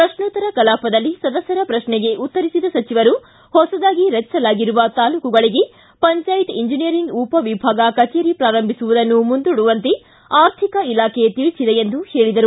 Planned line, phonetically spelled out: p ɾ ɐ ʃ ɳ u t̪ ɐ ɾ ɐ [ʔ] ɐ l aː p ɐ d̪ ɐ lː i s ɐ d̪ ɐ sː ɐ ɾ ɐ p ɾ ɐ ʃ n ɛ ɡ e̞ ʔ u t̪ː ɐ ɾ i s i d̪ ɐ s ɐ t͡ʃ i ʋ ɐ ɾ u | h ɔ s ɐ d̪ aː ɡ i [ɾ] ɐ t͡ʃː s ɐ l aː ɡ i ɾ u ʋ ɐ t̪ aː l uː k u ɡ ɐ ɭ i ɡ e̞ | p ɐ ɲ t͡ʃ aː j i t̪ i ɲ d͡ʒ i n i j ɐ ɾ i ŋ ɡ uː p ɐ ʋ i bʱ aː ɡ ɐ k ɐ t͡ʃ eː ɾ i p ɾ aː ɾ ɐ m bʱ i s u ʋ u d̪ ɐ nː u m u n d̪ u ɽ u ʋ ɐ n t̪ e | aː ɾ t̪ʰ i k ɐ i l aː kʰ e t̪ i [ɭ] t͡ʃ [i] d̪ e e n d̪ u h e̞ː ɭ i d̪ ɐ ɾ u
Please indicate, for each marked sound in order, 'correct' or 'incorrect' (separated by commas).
incorrect, correct, correct, correct